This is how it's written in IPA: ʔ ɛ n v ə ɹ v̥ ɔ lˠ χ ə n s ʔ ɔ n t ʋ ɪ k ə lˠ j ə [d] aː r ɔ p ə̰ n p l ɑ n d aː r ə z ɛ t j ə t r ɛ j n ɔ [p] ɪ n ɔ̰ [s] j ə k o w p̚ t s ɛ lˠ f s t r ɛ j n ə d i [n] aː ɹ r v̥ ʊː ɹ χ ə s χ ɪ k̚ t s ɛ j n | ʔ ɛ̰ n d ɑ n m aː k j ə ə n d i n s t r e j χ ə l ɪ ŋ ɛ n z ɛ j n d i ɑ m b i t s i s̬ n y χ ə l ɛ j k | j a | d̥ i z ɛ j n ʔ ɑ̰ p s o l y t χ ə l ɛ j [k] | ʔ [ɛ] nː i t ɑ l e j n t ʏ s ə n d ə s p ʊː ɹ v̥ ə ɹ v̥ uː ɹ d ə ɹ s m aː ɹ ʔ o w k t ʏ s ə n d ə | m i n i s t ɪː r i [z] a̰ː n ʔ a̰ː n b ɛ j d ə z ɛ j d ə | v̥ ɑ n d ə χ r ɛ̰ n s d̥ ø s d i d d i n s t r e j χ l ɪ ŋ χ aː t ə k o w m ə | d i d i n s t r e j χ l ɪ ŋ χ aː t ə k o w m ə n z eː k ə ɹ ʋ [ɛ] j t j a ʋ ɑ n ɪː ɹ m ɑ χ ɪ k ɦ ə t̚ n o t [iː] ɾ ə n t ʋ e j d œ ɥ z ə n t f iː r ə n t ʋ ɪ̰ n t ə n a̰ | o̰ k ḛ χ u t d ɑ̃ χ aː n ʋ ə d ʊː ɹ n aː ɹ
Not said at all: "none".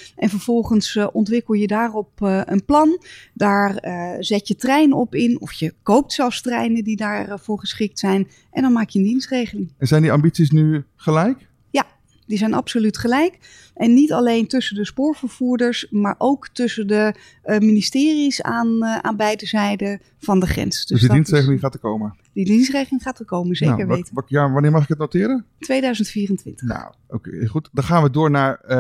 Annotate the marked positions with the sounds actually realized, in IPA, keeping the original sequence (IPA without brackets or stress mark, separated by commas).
d, p, f, d, k, ɛ, s, e, ɪː